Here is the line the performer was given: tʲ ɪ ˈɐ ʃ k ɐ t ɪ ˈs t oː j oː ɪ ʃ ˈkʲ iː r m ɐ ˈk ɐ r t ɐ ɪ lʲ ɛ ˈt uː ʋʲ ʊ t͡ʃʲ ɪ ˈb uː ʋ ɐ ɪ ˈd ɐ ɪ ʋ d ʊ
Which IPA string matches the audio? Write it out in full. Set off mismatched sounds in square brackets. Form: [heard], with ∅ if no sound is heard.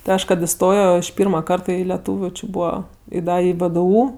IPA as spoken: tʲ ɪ ˈɐ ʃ k ɐ t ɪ ˈs t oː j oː ɪ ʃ [ˈpʲ] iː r m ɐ ˈk ɐ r t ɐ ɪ lʲ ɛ ˈt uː ʋʲ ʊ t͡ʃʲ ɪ ˈb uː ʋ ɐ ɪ ˈd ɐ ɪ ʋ d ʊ